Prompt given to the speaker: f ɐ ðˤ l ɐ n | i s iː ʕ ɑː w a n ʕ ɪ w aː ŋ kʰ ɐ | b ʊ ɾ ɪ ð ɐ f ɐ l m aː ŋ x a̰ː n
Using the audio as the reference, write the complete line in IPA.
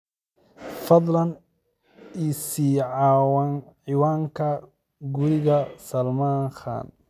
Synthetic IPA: f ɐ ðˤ l ɐ n | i s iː ʕ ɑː w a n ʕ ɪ w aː ŋ kʰ ɐ | ɡ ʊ ɾ ɪ ɣ ɐ s ɐ l m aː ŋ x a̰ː n

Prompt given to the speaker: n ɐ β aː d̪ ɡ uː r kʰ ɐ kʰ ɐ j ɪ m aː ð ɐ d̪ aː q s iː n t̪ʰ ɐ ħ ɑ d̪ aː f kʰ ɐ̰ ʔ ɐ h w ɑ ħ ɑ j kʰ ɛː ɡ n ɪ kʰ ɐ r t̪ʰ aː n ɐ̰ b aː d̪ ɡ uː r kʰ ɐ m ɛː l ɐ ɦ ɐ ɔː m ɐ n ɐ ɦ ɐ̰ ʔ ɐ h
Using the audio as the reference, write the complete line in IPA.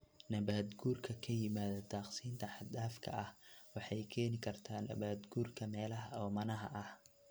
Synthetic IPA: n ɐ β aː d̪ ɡ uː r kʰ ɐ kʰ ɐ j ɪ m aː ð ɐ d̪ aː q s iː n t̪ʰ ɐ ħ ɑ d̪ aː f kʰ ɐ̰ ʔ ɐ h w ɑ ħ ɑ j kʰ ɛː n ɪ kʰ ɐ r t̪ʰ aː n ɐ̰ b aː d̪ ɡ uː r kʰ ɐ m ɛː l ɐ ɦ ɐ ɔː m ɐ n ɐ ɦ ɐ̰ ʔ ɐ h

